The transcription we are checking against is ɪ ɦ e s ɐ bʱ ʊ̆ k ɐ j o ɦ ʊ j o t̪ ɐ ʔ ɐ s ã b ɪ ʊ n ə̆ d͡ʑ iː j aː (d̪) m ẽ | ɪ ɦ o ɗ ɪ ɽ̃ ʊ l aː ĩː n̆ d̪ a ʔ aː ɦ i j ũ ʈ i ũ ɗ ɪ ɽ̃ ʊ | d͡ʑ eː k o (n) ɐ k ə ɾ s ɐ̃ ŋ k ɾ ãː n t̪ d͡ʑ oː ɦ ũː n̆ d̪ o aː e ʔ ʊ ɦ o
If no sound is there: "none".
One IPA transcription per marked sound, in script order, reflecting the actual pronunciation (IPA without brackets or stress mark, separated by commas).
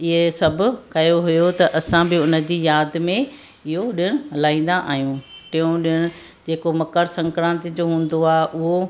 d̪, m